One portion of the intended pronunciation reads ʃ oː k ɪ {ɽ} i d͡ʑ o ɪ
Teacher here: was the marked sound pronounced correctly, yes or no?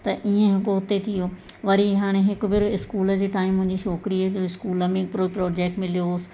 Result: no